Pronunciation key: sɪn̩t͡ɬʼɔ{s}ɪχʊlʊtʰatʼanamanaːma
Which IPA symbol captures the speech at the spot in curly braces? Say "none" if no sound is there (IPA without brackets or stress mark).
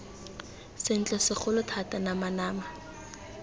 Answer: s